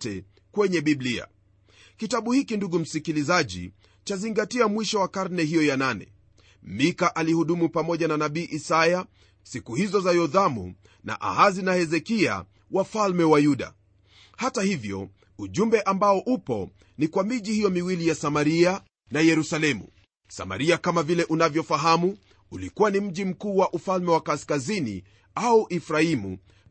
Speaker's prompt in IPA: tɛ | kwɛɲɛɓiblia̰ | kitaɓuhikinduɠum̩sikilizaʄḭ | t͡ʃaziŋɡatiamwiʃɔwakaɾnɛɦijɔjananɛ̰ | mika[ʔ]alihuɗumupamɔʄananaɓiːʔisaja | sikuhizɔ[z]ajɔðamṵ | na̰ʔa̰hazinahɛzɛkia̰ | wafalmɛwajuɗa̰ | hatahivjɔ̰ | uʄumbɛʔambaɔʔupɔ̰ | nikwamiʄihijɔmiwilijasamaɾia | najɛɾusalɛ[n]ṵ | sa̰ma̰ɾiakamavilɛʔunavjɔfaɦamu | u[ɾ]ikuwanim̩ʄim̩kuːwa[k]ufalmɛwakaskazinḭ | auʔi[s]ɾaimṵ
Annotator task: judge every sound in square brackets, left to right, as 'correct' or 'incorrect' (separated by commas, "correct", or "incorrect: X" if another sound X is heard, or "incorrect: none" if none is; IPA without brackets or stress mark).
correct, correct, incorrect: m, incorrect: l, incorrect: ʔ, incorrect: f